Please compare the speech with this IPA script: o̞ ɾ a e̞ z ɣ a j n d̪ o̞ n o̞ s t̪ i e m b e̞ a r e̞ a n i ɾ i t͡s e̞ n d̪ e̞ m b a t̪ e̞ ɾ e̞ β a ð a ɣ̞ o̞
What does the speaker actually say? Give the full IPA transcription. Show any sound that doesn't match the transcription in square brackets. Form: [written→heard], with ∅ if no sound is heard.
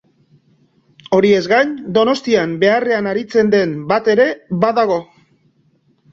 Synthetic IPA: o̞ ɾ [a→i] e̞ z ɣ a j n d̪ o̞ n o̞ s t̪ i [e→a] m b e̞ a r e̞ a n [i→a] ɾ i t͡s e̞ n d̪ e̞ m b a t̪ e̞ ɾ e̞ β a ð a ɣ̞ o̞

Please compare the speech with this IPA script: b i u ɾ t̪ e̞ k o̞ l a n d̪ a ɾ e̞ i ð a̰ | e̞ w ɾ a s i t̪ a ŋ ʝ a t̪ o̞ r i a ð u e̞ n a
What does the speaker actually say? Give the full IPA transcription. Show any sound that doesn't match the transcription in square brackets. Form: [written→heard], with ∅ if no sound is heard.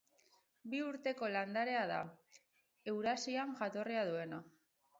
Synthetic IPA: b i u ɾ t̪ e̞ k o̞ l a n d̪ a ɾ e̞ [i→a] ð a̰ | e̞ w ɾ a s i [t̪→∅] a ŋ ʝ a t̪ o̞ r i a ð u e̞ n a

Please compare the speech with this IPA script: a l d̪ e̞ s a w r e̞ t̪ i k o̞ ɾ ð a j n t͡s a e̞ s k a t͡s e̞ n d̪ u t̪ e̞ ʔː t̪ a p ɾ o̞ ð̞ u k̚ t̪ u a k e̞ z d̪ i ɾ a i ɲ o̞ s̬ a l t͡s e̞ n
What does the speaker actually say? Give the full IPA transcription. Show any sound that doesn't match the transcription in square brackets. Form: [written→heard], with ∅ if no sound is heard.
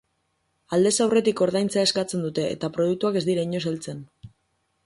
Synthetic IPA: a l d̪ e̞ s a w r e̞ t̪ i k o̞ ɾ ð a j n t͡s a e̞ s k a t͡s e̞ n d̪ u t̪ e̞ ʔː t̪ a p ɾ o̞ ð̞ u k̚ t̪ u a k e̞ z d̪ i ɾ a i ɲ o̞ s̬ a l t͡s e̞ n

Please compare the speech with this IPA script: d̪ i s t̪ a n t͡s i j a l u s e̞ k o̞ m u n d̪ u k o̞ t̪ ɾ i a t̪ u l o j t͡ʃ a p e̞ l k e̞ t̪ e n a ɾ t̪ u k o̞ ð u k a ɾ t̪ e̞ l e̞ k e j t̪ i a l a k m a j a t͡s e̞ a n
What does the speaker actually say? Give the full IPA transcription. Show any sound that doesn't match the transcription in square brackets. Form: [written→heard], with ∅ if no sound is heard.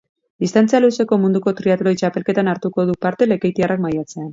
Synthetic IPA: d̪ i s t̪ a n t͡s i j a l u s e̞ k o̞ m u n d̪ u k o̞ t̪ ɾ i a t̪ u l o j t͡ʃ a p e̞ l k e̞ t̪ [e→a] n a ɾ t̪ u k o̞ ð u [k→p] a ɾ t̪ e̞ l e̞ k e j t̪ i a [l→r] a k m a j a t͡s e̞ a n

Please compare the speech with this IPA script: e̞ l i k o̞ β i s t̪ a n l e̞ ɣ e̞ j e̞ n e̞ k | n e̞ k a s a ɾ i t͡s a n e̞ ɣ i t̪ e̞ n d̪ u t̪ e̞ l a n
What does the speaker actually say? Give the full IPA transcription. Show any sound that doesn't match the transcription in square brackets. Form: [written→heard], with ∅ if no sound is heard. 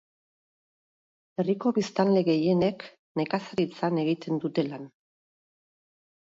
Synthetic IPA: e̞ [l→r] i k o̞ β i s t̪ a n l e̞ ɣ e̞ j e̞ n e̞ k | n e̞ k a s a ɾ i t͡s a n e̞ ɣ i t̪ e̞ n d̪ u t̪ e̞ l a n

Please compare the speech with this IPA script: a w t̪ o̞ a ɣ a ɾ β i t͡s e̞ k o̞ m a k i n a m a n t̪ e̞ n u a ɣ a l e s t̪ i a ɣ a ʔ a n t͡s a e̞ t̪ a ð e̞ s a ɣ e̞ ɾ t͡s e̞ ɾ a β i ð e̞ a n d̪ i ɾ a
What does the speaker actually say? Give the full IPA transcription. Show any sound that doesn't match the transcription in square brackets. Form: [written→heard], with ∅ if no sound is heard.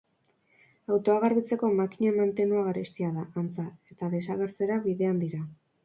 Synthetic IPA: a w t̪ o̞ a ɣ a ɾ β i t͡s e̞ k o̞ m a k i [n→ɲ] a m a n t̪ e̞ n u a ɣ a [l→ɾ] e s t̪ i a [ɣ→ð] a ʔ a n t͡s a e̞ t̪ a ð e̞ s a ɣ e̞ ɾ t͡s e̞ ɾ a β i ð e̞ a n d̪ i ɾ a

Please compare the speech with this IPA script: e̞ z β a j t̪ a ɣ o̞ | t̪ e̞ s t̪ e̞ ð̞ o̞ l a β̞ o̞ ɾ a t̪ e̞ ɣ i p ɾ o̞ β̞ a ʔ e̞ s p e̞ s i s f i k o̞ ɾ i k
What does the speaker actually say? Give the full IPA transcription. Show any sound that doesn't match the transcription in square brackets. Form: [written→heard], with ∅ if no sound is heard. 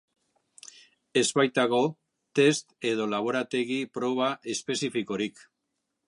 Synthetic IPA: e̞ z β a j t̪ a ɣ o̞ | t̪ e̞ s t̪ e̞ ð̞ o̞ l a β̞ o̞ ɾ a t̪ e̞ ɣ i p ɾ o̞ β̞ a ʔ e̞ s p e̞ s i [s→∅] f i k o̞ ɾ i k

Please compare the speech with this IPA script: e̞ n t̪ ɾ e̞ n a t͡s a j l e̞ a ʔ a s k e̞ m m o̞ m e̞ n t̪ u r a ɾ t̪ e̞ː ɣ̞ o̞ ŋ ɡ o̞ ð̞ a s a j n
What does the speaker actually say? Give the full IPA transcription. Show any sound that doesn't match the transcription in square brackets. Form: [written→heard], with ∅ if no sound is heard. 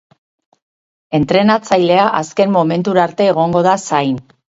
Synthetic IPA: e̞ n t̪ ɾ e̞ n a t͡s a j l e̞ a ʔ a s k e̞ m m o̞ m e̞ n t̪ u [r→ɾ] a ɾ t̪ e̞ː ɣ̞ o̞ ŋ ɡ o̞ ð̞ a s a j n

